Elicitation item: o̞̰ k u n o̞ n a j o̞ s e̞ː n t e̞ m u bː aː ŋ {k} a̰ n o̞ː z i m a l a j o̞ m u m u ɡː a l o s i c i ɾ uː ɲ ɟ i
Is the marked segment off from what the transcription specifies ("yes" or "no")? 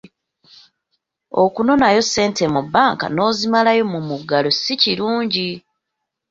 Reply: no